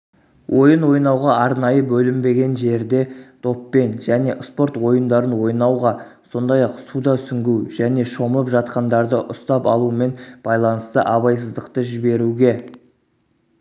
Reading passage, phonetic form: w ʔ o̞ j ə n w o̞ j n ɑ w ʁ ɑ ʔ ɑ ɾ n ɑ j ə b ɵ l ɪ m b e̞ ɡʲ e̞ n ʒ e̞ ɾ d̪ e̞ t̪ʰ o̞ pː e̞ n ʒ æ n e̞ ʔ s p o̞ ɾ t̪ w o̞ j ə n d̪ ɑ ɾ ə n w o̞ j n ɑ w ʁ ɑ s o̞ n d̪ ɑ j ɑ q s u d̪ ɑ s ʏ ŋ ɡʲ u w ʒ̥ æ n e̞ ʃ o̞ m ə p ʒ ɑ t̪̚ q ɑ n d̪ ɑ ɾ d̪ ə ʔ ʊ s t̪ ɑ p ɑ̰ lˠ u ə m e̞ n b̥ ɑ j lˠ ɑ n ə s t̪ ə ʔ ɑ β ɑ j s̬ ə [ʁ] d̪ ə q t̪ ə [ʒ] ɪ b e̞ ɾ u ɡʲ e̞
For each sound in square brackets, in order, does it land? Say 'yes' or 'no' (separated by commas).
no, yes